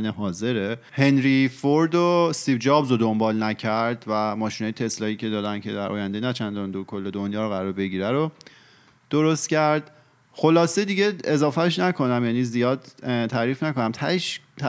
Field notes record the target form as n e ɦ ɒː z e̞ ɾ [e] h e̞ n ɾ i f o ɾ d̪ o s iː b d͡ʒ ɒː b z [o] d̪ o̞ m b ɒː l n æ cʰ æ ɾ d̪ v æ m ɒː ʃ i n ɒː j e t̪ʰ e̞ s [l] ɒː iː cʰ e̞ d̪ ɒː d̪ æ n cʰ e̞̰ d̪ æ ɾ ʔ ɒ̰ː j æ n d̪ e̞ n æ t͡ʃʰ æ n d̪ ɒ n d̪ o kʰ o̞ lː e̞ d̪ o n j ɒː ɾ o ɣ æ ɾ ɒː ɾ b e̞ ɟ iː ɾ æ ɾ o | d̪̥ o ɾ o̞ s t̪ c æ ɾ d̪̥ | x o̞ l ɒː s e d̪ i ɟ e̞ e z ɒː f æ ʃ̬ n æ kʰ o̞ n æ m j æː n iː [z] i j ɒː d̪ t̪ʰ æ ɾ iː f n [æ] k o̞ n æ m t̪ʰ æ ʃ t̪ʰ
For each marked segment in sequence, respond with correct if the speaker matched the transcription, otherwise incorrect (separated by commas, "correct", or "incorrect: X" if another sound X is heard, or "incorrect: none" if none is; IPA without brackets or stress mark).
correct, correct, correct, correct, correct